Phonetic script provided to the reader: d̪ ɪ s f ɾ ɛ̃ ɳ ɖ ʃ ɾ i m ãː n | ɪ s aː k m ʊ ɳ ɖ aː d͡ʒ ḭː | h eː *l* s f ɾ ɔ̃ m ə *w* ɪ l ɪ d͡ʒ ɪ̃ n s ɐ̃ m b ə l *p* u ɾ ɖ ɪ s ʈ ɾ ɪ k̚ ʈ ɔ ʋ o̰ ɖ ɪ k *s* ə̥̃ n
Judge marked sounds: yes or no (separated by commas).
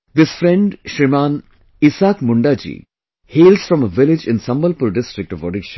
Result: yes, no, yes, no